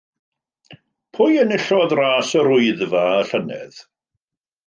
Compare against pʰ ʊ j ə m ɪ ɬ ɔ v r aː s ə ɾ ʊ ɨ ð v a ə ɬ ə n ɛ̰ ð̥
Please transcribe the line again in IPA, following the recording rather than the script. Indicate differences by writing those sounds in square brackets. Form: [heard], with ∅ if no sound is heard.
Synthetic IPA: pʰ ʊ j ə [n] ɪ ɬ ɔ [ð] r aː s ə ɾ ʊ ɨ ð v a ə ɬ ə n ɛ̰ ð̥